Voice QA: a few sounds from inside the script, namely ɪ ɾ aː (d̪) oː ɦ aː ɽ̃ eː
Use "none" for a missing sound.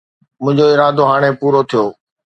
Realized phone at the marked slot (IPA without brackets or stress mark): d̪